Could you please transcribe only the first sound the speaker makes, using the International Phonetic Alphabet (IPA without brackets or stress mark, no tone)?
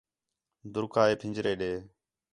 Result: d̪